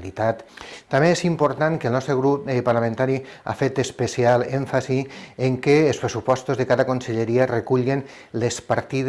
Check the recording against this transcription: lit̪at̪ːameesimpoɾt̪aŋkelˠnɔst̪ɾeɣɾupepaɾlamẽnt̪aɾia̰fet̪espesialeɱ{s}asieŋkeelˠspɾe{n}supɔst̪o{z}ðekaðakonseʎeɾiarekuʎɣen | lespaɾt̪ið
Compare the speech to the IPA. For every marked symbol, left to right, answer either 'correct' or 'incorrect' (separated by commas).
incorrect, incorrect, correct